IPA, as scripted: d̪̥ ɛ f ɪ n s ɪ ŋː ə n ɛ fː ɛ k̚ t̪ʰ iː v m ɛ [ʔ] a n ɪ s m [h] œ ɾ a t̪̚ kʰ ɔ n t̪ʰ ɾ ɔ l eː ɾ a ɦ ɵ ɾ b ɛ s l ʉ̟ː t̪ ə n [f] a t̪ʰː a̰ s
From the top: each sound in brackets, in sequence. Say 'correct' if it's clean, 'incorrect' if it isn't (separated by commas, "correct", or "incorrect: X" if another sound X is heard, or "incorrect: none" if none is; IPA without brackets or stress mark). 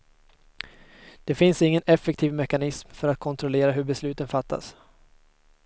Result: incorrect: k, incorrect: f, correct